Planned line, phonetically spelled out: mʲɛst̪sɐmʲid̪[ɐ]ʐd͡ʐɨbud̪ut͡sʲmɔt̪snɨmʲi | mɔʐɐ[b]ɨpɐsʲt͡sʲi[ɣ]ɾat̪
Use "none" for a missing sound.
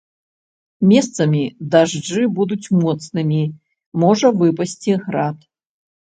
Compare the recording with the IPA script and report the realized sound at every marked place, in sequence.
a, v, ɣ

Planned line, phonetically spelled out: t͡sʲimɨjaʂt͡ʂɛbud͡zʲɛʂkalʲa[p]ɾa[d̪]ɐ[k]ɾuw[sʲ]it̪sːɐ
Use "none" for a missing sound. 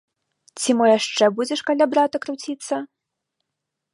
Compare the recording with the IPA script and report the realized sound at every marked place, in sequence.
b, t̪, k, t͡sʲ

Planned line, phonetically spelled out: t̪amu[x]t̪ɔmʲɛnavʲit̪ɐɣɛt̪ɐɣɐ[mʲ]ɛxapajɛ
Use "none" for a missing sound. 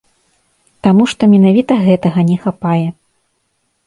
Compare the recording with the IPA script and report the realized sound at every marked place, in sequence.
ʂ, nʲ

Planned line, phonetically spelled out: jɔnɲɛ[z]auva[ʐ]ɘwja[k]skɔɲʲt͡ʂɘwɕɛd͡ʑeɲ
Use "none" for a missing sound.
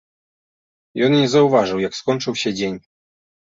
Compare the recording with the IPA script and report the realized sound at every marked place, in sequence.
z, ʐ, k

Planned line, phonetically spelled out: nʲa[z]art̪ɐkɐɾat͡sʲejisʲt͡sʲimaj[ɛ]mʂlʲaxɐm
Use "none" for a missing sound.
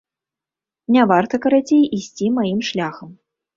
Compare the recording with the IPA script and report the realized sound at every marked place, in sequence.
v, i

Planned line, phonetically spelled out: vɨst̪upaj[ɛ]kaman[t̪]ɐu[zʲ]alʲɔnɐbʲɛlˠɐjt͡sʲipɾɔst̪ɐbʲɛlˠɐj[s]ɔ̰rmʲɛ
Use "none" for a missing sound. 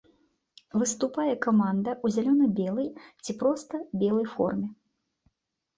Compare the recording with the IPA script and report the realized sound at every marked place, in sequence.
ɛ, d̪, zʲ, f

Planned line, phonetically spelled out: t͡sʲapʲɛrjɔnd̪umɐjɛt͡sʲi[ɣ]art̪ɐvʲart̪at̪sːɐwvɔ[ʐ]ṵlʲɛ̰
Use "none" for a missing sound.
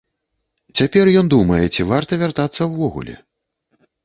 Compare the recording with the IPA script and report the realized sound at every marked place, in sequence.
v, ɣ

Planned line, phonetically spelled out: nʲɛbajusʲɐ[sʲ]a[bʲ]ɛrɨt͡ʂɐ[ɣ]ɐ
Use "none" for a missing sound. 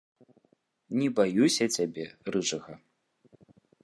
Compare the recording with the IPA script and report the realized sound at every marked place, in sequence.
t͡sʲ, bʲ, ɣ

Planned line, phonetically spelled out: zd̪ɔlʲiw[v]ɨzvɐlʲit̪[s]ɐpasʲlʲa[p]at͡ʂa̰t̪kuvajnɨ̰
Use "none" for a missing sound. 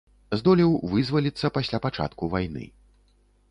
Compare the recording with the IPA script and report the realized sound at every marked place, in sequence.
v, sː, p

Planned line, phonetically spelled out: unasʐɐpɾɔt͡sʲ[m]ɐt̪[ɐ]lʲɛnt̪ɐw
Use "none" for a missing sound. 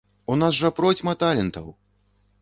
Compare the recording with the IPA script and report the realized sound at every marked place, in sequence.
m, a

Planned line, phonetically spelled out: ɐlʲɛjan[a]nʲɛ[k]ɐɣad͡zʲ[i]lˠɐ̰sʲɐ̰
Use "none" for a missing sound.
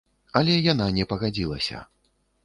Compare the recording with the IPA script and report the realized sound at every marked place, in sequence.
a, p, i

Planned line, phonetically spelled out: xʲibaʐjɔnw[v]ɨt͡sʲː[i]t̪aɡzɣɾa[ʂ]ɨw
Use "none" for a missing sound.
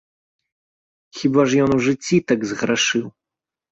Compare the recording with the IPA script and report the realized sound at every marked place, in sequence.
ʐ, i, ʂ

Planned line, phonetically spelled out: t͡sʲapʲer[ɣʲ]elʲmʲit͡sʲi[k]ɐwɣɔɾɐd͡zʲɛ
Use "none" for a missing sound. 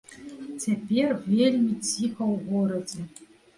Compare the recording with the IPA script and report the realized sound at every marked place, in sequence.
vʲ, x

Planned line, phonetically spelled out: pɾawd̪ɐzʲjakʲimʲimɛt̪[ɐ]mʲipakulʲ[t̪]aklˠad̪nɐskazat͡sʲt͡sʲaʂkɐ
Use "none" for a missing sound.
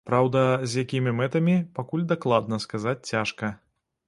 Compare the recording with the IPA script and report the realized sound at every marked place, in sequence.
ɐ, d̪

